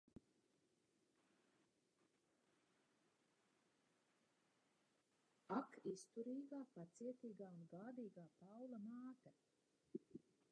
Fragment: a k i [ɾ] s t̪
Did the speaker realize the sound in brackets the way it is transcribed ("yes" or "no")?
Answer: no